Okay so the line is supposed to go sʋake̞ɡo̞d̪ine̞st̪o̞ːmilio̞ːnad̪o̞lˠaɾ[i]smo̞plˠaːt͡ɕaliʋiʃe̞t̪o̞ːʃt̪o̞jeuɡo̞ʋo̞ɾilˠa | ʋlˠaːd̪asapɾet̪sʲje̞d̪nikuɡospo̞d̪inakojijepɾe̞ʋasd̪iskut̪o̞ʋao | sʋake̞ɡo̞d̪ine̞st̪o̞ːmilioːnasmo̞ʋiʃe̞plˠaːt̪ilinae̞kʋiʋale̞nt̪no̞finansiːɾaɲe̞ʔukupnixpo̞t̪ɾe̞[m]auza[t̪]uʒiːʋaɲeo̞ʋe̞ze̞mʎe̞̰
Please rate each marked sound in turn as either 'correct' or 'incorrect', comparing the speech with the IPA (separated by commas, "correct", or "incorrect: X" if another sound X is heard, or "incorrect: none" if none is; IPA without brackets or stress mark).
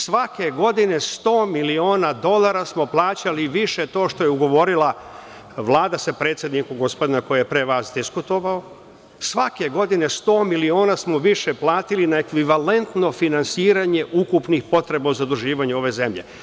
incorrect: a, incorrect: b, incorrect: d̪